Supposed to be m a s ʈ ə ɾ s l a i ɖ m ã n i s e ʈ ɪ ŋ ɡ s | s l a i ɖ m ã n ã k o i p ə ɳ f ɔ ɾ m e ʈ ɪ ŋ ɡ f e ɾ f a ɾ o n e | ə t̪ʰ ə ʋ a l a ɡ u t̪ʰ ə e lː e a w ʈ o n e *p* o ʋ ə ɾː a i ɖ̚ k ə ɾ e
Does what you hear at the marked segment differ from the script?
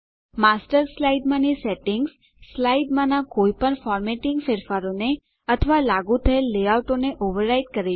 yes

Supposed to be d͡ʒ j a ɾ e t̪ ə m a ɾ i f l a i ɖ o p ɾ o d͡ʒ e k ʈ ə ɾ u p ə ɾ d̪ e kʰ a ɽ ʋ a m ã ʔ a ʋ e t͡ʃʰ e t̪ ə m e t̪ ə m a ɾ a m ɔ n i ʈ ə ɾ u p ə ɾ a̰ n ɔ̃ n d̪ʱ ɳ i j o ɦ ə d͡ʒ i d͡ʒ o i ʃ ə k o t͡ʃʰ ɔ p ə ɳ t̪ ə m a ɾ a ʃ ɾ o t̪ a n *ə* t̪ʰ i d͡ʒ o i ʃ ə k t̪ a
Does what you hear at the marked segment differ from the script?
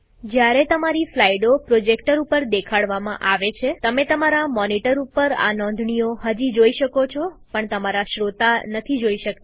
no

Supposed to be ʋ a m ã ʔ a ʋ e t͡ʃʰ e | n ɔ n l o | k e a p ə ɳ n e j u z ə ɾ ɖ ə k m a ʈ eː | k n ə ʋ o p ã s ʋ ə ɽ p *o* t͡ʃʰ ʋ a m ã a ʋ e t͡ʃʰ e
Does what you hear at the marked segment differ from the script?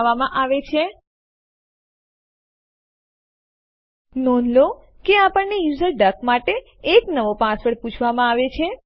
yes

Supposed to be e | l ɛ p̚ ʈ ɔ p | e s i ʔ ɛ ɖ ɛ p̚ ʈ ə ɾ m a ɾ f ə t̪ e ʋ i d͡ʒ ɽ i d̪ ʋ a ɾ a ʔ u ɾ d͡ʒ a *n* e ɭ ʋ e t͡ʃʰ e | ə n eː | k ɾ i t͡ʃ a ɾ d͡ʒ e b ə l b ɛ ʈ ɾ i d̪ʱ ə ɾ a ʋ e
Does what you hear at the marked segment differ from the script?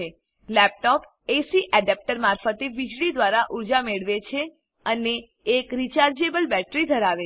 yes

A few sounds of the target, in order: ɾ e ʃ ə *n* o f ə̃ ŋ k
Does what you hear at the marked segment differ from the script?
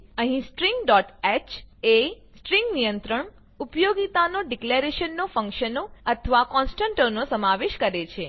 yes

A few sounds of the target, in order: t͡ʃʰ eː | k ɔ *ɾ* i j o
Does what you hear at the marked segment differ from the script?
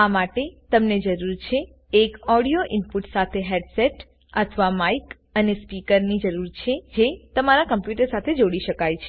yes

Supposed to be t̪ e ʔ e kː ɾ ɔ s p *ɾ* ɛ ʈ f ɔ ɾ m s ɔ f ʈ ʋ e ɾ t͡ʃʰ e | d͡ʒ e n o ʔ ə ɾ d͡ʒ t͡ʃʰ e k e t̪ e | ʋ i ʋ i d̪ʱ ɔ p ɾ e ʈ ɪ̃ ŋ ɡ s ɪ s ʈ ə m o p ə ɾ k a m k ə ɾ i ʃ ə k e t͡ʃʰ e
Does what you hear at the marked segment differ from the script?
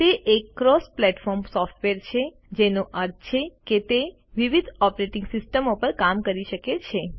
yes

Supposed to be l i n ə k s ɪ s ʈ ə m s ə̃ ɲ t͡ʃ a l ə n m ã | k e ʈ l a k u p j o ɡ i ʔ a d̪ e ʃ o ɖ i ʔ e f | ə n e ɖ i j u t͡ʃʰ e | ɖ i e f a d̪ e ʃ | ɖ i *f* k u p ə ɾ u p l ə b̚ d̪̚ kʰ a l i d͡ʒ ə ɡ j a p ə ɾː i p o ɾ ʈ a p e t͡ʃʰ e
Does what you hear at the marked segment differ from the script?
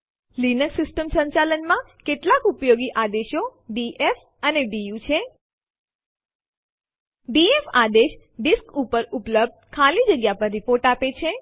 yes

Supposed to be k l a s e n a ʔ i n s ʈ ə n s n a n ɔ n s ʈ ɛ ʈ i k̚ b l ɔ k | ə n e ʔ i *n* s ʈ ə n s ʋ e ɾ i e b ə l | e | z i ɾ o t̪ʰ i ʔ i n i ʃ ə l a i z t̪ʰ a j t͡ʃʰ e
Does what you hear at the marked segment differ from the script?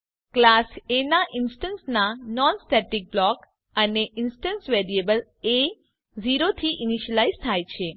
no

